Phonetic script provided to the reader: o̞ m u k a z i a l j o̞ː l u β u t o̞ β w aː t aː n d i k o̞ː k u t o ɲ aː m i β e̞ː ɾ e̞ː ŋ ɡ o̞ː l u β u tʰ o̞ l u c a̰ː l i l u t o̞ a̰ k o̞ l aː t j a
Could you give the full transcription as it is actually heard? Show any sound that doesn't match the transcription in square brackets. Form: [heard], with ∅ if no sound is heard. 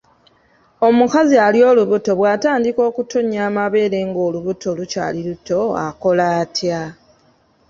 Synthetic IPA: o̞ m u k a z i a l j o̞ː l u β u t o̞ β w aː t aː n d i k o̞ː k u t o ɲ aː m [a] β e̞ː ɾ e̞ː ŋ ɡ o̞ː l u β u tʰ o̞ l u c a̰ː l i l u t o̞ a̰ k o̞ l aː t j a